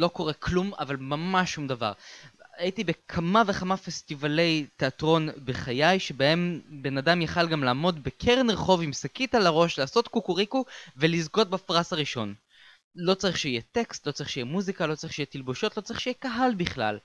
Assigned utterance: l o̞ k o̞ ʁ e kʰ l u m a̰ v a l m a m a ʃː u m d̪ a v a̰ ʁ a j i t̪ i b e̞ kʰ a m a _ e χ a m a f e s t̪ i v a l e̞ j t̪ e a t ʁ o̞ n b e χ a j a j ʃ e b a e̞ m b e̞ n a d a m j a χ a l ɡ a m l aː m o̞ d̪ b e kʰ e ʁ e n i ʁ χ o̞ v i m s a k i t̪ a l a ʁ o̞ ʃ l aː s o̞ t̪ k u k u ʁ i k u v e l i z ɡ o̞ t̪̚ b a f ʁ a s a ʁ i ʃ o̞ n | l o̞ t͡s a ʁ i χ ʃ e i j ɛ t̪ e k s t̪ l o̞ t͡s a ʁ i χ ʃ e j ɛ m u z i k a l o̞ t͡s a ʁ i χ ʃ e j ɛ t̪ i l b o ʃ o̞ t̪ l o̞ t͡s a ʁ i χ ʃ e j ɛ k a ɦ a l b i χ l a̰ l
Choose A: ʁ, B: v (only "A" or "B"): B